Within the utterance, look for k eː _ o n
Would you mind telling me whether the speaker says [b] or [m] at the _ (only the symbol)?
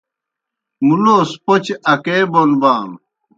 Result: b